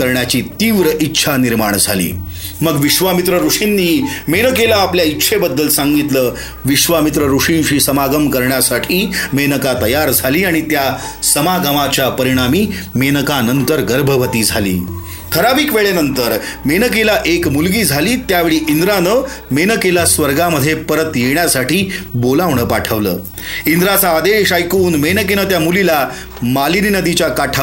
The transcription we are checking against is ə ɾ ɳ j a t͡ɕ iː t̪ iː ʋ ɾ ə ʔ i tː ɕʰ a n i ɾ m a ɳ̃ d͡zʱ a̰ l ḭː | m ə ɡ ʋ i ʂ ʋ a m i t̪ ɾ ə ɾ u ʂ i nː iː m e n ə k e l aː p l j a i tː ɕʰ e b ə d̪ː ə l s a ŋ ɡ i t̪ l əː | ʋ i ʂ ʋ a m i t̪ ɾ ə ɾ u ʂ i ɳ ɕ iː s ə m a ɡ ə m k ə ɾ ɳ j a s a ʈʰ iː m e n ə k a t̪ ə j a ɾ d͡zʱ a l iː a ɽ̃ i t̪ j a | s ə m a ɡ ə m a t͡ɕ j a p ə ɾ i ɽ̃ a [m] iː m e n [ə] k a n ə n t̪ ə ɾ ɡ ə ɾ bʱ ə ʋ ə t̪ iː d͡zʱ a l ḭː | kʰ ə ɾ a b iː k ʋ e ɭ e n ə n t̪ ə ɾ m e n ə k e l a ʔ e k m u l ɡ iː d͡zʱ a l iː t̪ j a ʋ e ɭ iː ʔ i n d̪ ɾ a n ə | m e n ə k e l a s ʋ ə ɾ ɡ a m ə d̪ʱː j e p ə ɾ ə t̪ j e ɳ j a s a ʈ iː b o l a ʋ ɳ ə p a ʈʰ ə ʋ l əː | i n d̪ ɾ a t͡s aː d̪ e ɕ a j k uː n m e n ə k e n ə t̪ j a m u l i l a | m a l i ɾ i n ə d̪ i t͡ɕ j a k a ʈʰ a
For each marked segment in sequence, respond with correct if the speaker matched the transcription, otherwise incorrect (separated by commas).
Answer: correct, correct